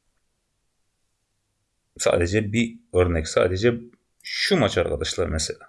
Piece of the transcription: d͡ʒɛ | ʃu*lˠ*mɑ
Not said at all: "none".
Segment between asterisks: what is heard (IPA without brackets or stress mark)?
none